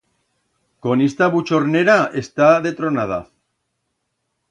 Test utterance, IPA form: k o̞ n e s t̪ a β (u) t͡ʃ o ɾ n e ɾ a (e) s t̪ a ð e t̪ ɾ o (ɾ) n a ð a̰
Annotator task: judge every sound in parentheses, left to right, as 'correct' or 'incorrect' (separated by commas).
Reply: correct, correct, incorrect